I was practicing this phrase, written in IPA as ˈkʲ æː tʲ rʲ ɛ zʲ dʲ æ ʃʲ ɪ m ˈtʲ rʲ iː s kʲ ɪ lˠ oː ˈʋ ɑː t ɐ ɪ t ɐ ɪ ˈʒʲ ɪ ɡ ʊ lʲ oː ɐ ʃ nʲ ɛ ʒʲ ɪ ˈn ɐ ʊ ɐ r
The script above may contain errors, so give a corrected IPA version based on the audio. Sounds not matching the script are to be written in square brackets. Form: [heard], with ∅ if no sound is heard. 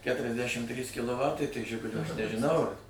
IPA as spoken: ˈkʲ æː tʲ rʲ ɛ zʲ dʲ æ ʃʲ ɪ m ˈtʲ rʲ iː s kʲ ɪ lˠ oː ˈʋ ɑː t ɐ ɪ t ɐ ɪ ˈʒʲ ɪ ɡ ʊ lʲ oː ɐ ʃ nʲ ɛ ʒʲ ɪ ˈn ɐ ʊ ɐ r